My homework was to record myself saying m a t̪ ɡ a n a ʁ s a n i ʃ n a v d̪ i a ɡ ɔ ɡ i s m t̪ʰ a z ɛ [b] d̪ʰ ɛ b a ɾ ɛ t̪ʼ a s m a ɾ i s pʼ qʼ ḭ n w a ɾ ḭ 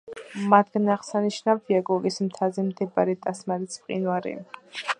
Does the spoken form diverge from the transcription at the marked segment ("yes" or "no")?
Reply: yes